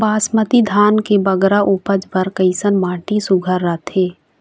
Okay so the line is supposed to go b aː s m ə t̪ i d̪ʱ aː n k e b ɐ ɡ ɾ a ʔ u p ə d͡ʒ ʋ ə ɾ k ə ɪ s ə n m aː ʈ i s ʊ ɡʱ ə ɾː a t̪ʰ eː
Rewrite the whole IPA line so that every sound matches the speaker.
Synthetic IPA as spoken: b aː s m ə t̪ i d̪ʱ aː n k e b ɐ ɡ ɾ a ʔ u p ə d͡ʒ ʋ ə ɾ k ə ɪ s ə n m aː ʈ i s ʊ ɡʱ ə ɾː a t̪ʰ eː